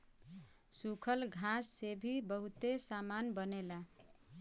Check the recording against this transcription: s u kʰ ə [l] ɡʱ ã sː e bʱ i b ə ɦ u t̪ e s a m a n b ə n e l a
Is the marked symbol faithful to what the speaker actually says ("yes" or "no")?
yes